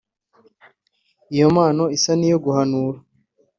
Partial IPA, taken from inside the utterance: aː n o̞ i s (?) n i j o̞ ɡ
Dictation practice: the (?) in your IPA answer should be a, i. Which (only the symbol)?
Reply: a